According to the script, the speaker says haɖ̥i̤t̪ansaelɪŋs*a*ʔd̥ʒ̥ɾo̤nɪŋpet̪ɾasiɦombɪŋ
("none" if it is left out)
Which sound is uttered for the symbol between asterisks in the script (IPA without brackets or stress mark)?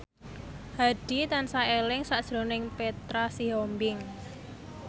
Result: a